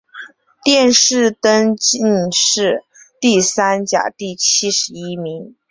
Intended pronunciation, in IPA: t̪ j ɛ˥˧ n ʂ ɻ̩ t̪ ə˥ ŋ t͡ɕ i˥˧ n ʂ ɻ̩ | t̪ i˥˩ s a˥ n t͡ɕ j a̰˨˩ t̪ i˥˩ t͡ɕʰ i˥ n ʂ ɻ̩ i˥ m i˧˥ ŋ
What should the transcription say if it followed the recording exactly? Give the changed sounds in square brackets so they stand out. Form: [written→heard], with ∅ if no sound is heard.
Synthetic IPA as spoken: t̪ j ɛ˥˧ n ʂ ɻ̩ t̪ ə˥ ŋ t͡ɕ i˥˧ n ʂ ɻ̩ | t̪ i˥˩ s a˥ n t͡ɕ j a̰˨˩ t̪ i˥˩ t͡ɕʰ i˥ [n→∅] ʂ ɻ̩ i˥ m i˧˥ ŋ